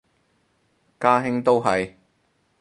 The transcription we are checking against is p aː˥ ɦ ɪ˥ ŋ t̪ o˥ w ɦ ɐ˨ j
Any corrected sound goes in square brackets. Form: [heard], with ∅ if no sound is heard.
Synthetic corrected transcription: [k] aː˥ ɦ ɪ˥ ŋ t̪ o˥ w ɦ ɐ˨ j